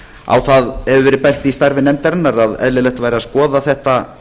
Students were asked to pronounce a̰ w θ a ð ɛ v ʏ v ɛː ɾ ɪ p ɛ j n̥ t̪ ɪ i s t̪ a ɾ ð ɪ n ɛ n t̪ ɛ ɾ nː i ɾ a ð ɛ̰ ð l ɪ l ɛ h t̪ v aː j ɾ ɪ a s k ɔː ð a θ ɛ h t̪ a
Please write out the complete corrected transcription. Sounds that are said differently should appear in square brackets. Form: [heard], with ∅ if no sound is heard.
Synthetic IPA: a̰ w θ a ð ɛ v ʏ v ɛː ɾ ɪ p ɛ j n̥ t̪ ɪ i s t̪ a ɾ [v] ɪ n ɛ [m] t̪ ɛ ɾ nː [a] ɾ a ð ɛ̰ ð l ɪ l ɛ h t̪ v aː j ɾ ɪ a s k ɔː ð a θ ɛ h t̪ a